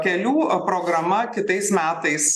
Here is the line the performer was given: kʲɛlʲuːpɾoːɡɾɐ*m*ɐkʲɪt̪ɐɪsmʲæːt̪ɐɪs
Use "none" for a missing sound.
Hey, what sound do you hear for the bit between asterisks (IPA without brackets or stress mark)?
m